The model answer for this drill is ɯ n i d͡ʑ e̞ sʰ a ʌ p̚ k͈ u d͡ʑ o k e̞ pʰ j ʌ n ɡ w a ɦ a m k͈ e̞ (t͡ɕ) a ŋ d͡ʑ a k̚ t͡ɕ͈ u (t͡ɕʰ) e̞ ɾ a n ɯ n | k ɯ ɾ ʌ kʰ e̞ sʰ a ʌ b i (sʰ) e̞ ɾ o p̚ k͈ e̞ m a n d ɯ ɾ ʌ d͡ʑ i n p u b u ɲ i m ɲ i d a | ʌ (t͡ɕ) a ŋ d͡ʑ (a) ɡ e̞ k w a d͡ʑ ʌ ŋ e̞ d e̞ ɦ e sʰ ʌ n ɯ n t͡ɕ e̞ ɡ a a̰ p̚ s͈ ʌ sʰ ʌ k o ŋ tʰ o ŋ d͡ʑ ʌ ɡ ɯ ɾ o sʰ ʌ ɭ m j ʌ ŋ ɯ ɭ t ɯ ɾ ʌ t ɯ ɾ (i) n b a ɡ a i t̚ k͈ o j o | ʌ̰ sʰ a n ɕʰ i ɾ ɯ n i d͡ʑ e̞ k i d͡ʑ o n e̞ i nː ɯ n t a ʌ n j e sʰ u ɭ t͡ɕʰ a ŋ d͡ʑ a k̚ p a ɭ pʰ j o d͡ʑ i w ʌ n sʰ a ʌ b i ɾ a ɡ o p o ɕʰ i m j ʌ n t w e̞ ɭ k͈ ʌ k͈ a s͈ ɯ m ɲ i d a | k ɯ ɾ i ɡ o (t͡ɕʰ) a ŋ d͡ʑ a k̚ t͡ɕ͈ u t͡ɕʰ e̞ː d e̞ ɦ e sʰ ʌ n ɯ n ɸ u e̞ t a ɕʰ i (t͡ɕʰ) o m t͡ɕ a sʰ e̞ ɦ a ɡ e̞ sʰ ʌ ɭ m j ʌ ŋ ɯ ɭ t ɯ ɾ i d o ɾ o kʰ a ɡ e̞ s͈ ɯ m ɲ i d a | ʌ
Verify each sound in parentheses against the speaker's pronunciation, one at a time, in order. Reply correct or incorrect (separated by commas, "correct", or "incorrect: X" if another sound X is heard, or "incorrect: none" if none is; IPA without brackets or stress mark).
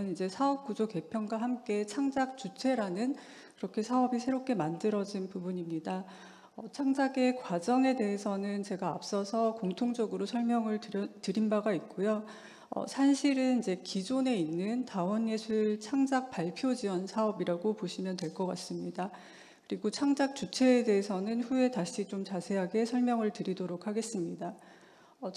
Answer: incorrect: t͡ɕʰ, correct, correct, incorrect: t͡ɕʰ, correct, correct, correct, incorrect: t͡ɕ